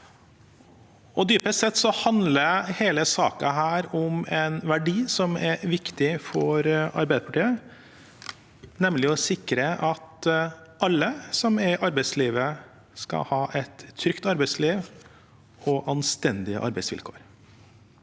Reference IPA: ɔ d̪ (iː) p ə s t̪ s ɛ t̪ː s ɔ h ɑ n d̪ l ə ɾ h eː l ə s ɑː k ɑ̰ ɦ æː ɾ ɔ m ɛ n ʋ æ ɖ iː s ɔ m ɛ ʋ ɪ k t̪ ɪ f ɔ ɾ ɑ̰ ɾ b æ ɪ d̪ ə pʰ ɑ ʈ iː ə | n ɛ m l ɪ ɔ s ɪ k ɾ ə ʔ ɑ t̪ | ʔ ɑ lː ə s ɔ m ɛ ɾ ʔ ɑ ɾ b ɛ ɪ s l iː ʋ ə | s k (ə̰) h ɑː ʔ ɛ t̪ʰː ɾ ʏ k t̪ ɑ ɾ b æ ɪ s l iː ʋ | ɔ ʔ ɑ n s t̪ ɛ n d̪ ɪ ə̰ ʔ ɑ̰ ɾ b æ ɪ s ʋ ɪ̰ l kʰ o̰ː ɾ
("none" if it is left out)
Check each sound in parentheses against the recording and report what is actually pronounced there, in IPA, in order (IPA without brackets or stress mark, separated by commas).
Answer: yː, ɑ̰